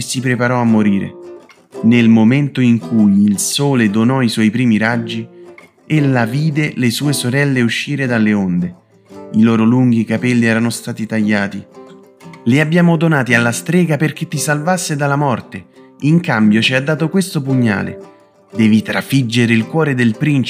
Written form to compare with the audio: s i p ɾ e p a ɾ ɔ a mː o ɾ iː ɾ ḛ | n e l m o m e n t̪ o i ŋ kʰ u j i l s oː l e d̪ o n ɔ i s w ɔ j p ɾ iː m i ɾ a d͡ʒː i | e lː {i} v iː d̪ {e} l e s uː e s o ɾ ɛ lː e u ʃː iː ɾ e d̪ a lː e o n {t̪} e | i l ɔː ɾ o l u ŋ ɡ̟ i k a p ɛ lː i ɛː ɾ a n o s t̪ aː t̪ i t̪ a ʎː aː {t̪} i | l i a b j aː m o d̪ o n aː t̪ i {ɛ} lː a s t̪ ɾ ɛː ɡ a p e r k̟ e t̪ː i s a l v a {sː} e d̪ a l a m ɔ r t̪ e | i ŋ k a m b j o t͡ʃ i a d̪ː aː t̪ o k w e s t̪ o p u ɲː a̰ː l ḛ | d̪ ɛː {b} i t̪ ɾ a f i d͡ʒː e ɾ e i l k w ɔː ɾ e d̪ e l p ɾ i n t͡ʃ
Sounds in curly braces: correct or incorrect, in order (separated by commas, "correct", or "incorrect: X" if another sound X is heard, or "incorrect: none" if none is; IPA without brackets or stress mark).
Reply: incorrect: a, correct, incorrect: d̪, correct, incorrect: a, correct, incorrect: v